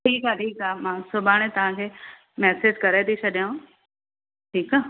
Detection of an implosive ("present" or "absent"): present